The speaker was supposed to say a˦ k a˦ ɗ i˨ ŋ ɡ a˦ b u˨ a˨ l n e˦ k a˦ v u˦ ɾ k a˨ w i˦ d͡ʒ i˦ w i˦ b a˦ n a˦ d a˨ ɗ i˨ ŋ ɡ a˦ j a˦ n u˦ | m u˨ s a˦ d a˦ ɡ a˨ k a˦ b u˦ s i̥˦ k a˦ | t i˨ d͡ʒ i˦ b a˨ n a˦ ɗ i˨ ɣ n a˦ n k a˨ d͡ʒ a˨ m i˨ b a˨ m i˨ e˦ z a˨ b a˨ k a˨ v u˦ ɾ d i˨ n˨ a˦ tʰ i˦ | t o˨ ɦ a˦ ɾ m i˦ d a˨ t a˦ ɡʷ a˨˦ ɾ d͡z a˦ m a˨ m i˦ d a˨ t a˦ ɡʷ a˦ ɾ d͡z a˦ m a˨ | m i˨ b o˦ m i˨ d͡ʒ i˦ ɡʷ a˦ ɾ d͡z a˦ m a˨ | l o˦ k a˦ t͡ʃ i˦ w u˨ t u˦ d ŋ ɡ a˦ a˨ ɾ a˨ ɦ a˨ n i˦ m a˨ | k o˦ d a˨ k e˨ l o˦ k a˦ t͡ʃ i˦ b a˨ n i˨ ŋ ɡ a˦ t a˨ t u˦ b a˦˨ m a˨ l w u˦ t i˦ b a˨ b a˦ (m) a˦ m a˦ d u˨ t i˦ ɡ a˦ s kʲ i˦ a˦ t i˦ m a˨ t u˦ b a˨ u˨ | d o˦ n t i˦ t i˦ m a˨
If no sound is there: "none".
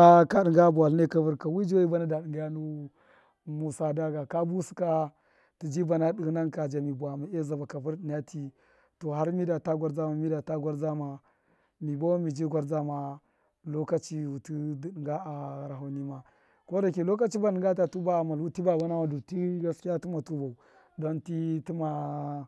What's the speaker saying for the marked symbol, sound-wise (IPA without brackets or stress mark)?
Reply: n